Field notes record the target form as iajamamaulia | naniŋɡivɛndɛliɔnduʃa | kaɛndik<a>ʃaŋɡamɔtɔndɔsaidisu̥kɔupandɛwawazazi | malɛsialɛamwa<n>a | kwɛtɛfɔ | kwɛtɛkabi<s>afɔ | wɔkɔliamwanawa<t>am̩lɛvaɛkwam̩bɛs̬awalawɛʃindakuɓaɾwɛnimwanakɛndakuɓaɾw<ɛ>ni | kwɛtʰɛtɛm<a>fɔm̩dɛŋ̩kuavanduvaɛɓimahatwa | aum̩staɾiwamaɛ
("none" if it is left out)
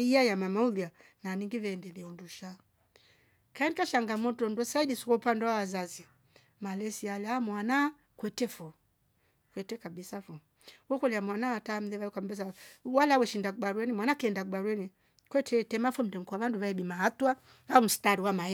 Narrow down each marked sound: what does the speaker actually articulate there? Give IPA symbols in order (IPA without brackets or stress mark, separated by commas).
a, n, s, t, ɛ, a